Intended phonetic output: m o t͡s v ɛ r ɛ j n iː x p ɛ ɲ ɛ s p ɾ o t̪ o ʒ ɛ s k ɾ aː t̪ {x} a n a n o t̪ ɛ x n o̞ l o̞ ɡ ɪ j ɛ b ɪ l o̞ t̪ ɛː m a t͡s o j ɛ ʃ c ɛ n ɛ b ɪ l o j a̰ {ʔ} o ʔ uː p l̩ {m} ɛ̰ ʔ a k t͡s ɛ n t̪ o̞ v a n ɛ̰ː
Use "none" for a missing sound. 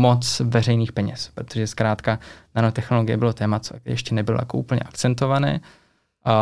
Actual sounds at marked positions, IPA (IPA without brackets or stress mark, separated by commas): k, k, ɲ